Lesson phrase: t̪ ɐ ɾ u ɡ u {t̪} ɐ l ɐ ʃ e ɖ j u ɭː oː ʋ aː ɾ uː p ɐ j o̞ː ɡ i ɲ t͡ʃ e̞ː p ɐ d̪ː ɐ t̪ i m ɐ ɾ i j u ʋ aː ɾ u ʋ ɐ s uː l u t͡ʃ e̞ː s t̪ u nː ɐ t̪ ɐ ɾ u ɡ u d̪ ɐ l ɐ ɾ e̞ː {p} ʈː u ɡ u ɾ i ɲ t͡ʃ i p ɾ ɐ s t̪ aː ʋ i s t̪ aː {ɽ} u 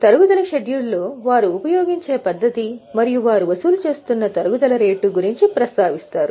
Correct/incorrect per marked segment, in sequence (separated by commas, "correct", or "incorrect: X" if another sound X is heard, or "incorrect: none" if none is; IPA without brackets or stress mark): incorrect: d̪, incorrect: none, incorrect: ɾ